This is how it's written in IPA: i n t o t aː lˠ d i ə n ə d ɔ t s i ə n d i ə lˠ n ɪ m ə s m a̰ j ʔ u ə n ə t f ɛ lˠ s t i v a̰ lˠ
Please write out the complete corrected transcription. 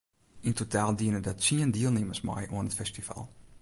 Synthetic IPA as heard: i n t o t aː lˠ d i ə n ə d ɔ t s i ə n d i ə lˠ n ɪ m ə s m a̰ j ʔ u ə n ə t f ɛ s t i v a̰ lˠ